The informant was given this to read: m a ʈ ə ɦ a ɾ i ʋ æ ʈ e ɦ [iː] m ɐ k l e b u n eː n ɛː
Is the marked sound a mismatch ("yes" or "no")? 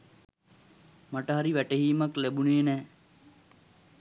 no